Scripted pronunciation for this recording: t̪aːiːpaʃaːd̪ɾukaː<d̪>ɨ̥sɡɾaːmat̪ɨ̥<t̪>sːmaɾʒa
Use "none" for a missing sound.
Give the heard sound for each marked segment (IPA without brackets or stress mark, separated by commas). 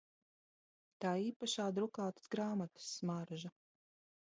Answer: t̪, none